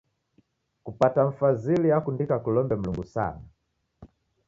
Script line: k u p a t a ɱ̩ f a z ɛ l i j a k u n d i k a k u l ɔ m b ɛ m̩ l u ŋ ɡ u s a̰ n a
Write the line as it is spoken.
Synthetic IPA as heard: k u p a t a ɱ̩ f a z i l i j a k u n d i k a k u l ɔ m b ɛ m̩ l u ŋ ɡ u s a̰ n a

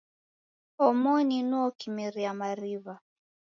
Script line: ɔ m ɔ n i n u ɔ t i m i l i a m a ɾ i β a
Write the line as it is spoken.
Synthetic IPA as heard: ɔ m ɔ n i n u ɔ k i m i ɾ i a m a ɾ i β a

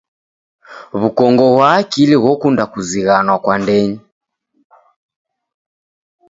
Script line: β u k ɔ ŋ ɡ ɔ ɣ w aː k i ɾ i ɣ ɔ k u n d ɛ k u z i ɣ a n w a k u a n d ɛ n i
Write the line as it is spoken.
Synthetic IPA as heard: β u k ɔ ŋ ɡ ɔ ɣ w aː k i l i ɣ ɔ k u n d a k u z i ɣ a n w a k w a n d ɛ ɲ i

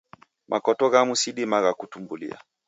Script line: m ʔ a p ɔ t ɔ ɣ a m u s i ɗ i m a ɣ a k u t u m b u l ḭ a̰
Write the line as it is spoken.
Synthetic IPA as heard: m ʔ a k ɔ t ɔ ɣ a m u s i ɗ i m a ɣ a k u t u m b u l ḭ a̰

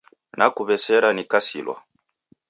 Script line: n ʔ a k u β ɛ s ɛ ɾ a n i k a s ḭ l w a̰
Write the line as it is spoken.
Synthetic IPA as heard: n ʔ a k u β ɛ s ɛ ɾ a n i k a s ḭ l w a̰

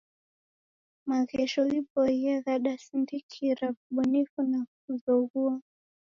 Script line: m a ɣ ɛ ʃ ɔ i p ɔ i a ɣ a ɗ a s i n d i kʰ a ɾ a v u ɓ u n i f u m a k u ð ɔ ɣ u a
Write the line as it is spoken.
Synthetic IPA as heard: m a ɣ ɛ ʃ ɔ i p ɔ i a ɣ a ɗ a s i n d i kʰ i ɾ a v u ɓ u n i f u n a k u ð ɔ ɣ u a

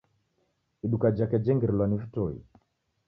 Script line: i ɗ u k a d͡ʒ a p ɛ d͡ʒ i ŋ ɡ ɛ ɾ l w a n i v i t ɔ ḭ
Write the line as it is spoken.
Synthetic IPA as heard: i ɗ u k a d͡ʒ a k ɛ d͡ʒ ɛ ŋ ɡ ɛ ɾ l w a n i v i t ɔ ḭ

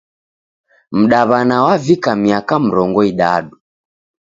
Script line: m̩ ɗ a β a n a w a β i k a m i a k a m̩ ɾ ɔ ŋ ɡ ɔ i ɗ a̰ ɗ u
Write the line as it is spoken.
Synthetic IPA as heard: m̩ ɗ a β a n a w a v i k a m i a k a m̩ ɾ ɔ ŋ ɡ ɔ i ɗ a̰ ɗ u

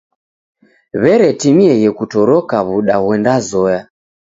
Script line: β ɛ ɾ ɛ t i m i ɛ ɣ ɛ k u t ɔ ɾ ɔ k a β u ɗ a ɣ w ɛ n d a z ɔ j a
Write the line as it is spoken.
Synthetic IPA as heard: β ɛ ɾ ɛ t i m i ɛ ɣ ɛ k u t ɔ ɾ ɔ k a β u ɗ a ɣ w ɛ n d a z ɔ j a

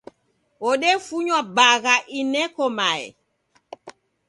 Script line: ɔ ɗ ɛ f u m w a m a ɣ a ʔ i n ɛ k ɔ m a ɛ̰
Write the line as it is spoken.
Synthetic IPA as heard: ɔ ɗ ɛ f u ɲ w a b a ɣ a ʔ i n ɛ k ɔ m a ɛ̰

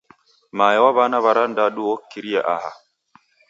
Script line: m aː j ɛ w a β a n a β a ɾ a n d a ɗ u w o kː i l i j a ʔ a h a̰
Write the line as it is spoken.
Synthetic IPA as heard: m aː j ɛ w a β a n a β a ɾ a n d a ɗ u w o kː i ɾ i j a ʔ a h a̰

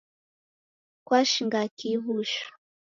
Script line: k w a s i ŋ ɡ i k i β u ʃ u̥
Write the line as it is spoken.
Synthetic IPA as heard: k w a ʃ i ŋ ɡ a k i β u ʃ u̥

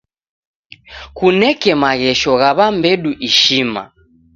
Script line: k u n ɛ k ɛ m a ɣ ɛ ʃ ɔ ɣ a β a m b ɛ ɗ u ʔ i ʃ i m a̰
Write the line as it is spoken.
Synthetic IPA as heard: k u n ɛ k ɛ m a ɣ ɛ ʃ ɔ ɣ a β a m b ɛ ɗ u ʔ i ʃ i m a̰

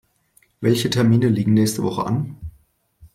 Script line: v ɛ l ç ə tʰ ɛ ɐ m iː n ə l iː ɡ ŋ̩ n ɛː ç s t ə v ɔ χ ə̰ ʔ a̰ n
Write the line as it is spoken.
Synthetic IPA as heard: v ɛ l ç ə tʰ ɛ ɐ m iː n ə l iː ɡ ŋ̩ n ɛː ç s t ə v ɔ χ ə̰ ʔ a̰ n

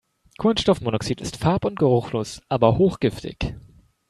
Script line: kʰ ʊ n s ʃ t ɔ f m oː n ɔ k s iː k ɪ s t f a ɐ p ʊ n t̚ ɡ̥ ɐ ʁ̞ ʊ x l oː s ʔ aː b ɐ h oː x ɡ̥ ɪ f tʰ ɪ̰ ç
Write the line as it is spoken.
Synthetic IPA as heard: kʰ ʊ n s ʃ t ɔ f m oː n ɔ k s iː t ɪ s t f a ɐ p ʊ n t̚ ɡ̥ ə ʁ̞ ʊ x l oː s ʔ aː b ɐ h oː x ɡ̥ ɪ f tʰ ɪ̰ ç

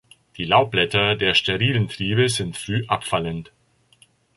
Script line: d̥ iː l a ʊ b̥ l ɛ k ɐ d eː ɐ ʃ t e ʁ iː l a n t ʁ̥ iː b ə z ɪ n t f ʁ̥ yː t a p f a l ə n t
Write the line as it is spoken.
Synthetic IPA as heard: d̥ iː l a ʊ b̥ l ɛ t ɐ d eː ɐ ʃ t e ʁ iː l ə n t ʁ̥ iː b ə z ɪ n t f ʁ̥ yː ʔ a p f a l ə n t

